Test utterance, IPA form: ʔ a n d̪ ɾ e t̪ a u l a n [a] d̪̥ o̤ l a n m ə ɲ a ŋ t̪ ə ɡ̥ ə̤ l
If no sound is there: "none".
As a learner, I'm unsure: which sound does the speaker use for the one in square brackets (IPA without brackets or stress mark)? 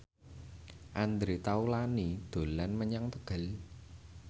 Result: i